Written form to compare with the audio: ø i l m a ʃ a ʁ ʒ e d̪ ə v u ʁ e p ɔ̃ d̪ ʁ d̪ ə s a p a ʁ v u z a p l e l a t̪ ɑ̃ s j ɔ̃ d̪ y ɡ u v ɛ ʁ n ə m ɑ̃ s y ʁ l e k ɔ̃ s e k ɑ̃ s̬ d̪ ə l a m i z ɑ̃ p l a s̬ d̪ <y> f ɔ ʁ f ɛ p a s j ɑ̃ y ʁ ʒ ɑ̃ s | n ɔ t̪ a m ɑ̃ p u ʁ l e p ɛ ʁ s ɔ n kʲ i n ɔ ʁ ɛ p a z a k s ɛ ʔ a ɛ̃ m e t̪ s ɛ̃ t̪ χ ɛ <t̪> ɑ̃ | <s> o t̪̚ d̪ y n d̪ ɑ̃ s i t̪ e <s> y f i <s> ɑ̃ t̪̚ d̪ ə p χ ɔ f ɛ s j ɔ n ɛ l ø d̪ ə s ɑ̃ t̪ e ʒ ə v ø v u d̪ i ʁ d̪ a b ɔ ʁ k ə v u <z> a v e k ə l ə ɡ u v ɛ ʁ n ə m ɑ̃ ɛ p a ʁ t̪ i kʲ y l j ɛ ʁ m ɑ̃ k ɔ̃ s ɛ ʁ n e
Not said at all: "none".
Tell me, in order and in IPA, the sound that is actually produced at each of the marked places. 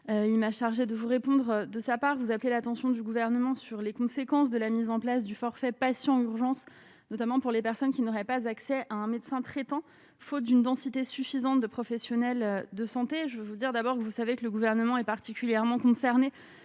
y, t̪, f, s, z, s

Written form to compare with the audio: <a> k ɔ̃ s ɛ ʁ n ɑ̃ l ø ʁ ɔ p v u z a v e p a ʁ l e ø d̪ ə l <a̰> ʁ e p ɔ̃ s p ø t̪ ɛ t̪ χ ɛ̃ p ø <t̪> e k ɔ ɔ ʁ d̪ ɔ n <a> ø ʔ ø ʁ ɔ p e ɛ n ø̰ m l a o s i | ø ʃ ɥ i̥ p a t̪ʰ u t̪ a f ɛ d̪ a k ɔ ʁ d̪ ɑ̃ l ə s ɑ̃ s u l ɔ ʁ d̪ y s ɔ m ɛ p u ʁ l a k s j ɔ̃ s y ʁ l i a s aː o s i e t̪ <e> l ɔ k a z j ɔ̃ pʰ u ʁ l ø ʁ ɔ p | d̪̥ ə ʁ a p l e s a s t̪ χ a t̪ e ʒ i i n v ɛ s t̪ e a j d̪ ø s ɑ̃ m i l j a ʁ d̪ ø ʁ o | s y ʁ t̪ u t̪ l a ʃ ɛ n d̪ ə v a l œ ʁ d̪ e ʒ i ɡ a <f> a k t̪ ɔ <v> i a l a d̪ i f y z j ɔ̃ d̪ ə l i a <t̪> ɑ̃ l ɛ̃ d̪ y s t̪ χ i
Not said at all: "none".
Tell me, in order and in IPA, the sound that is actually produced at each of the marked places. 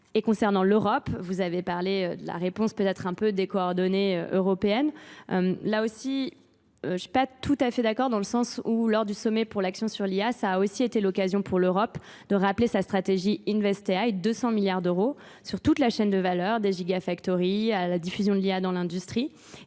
e, a̰, d̪, e, e, f, ʁ, d̪

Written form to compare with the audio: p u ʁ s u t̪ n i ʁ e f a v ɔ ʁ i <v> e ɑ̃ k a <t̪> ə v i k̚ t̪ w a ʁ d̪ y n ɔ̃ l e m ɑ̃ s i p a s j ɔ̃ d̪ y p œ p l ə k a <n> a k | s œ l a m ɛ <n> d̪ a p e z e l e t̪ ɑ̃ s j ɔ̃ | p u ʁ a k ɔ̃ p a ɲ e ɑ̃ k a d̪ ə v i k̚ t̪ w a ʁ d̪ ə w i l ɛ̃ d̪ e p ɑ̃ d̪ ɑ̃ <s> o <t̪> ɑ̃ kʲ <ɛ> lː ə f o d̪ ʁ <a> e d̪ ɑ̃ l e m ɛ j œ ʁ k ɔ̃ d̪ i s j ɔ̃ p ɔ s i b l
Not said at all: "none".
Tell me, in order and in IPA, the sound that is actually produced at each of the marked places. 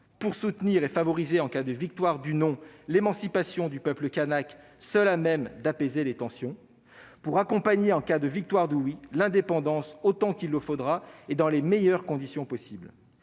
z, d̪, n, m, s, t̪, i, a

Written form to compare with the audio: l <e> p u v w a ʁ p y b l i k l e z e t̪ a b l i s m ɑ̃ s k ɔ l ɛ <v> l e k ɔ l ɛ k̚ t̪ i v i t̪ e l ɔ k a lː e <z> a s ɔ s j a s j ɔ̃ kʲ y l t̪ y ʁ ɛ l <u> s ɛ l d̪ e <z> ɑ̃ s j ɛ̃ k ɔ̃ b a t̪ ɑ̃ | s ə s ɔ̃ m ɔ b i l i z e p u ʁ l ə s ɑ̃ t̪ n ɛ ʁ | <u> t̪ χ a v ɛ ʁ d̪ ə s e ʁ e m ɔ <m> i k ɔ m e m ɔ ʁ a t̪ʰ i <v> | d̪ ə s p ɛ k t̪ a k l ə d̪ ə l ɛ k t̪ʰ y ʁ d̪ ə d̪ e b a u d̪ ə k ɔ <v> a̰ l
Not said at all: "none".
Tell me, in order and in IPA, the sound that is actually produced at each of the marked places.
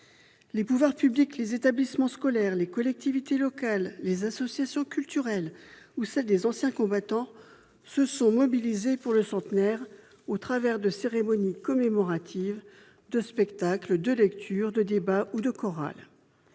e, ʁ, z, u, z, o, n, v, ʁ

